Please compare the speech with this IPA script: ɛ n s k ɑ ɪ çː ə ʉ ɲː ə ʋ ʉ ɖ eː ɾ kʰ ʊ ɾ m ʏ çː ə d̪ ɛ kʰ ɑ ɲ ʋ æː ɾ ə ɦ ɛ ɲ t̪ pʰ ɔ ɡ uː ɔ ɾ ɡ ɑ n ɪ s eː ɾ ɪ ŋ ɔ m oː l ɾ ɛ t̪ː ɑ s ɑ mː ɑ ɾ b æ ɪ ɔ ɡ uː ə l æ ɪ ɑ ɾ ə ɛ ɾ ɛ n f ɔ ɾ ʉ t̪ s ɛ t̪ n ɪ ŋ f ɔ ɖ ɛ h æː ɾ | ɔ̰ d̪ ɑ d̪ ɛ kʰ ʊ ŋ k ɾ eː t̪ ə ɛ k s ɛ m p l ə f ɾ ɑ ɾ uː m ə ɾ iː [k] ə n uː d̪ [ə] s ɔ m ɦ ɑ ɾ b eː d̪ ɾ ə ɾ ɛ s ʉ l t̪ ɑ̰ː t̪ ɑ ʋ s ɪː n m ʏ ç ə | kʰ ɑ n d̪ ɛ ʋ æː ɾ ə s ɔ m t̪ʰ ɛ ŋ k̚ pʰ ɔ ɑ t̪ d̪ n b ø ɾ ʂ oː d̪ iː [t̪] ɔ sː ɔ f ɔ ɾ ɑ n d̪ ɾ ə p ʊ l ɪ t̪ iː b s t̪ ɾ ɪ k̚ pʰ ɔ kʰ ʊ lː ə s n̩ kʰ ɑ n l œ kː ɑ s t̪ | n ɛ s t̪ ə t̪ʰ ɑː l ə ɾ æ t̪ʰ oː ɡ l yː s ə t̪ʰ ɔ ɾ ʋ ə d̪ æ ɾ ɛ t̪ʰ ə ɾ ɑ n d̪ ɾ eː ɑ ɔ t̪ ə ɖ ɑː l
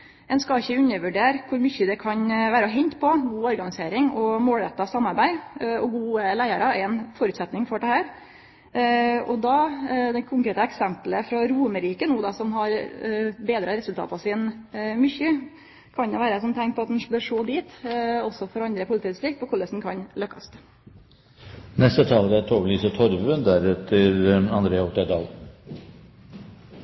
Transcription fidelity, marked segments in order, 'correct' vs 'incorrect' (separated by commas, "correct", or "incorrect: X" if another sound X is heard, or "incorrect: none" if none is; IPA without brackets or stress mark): correct, incorrect: ɑ, correct